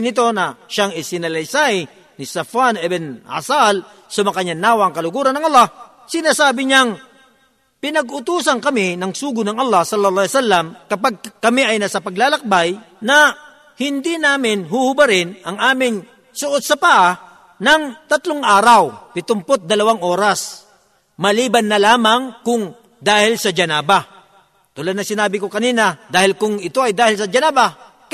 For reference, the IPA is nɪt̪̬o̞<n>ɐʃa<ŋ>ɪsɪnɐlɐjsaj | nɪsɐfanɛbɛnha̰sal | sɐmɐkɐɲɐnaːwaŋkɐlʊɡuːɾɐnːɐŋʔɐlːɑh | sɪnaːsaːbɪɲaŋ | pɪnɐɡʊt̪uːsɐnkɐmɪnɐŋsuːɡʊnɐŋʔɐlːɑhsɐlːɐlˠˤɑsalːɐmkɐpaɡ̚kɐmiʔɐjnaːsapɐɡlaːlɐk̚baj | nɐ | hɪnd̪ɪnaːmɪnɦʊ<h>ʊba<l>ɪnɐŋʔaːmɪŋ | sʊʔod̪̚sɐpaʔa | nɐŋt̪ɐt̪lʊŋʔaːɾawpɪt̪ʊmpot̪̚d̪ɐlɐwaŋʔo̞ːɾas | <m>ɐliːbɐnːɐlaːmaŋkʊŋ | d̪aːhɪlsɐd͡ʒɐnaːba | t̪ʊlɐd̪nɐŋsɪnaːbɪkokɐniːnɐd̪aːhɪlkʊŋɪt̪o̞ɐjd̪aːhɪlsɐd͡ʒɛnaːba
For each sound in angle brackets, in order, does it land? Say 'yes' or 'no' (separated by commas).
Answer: yes, yes, yes, no, yes